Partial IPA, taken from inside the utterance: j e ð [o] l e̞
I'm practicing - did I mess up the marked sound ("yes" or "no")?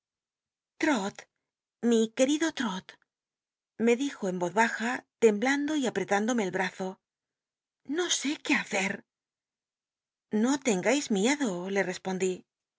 no